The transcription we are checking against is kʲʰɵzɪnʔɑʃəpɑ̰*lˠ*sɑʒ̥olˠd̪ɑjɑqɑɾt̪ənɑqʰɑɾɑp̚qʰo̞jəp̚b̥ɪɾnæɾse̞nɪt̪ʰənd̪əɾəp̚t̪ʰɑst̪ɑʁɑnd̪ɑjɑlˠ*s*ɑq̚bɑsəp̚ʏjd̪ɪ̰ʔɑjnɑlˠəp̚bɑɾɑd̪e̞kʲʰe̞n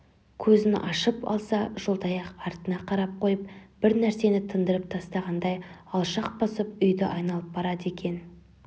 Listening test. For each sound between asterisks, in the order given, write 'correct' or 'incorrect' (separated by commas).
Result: correct, incorrect